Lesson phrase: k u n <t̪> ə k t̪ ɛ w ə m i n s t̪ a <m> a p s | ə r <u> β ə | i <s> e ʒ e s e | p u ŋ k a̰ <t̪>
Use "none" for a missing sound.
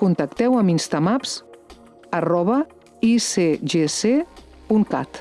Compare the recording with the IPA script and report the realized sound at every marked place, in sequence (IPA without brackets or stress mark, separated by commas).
t̪, m, ɔ, s, t̪